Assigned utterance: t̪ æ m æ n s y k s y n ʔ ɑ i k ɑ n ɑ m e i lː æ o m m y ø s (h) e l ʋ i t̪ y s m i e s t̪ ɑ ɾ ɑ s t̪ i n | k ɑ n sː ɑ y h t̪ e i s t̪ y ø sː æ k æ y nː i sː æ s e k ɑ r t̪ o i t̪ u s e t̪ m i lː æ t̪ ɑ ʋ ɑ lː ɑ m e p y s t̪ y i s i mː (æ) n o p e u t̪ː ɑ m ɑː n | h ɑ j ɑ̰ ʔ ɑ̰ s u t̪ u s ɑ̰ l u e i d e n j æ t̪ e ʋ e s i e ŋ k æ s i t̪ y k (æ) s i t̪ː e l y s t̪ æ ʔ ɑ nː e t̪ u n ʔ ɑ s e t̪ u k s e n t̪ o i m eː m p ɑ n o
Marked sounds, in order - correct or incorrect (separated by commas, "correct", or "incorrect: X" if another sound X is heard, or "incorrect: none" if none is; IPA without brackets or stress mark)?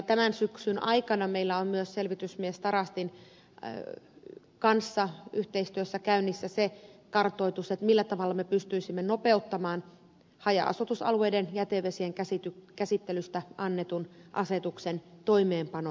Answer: incorrect: s, incorrect: e, correct